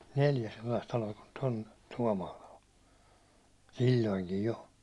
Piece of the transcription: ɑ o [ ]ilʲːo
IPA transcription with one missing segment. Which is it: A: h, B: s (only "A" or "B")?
B